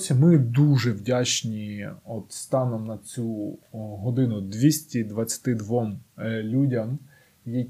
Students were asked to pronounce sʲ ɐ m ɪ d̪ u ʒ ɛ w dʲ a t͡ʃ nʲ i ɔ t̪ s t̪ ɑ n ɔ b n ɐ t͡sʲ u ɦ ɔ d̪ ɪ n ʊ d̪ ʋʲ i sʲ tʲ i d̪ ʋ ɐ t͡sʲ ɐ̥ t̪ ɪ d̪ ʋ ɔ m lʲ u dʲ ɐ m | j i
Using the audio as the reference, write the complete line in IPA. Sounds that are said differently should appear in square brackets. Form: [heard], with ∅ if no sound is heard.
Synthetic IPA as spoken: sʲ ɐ m ɪ d̪ u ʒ ɛ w dʲ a t͡ʃ nʲ i ɔ t̪ s t̪ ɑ n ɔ [m] n ɐ t͡sʲ u ɦ ɔ d̪ ɪ n ʊ d̪ ʋʲ i sʲ tʲ i d̪ ʋ ɐ t͡sʲ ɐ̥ t̪ ɪ d̪ ʋ ɔ m lʲ u dʲ ɐ m | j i